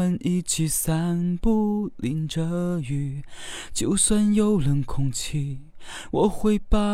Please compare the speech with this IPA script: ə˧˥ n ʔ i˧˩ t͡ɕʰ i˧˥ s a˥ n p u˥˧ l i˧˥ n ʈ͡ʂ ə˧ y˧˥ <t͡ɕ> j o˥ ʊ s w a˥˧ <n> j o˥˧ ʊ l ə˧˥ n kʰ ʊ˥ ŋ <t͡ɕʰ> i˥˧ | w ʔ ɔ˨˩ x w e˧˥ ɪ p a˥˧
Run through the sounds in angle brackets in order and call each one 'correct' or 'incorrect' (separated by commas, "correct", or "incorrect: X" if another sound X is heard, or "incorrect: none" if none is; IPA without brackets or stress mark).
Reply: correct, correct, correct